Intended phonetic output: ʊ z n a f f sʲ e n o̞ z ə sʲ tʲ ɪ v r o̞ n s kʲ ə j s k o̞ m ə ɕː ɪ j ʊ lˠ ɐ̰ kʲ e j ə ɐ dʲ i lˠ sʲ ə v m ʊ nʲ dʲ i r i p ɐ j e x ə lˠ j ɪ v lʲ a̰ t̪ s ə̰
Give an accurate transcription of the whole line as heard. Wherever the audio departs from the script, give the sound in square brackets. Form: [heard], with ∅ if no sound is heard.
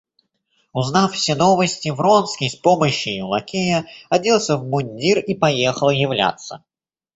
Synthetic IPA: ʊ z n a f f sʲ e n o̞ [v] ə sʲ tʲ ɪ v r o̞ n s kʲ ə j s [p] o̞ m ə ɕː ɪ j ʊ lˠ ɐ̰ kʲ e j ə ɐ dʲ i lˠ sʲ ə v m ʊ nʲ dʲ i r i p ɐ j e x ə lˠ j ɪ v lʲ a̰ t̪ s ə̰